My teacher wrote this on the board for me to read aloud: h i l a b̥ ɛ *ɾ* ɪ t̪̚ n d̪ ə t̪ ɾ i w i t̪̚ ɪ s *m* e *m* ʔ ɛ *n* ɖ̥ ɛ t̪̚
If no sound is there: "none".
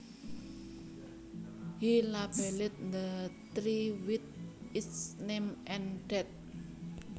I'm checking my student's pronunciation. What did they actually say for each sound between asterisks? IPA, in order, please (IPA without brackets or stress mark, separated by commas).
l, n, m, n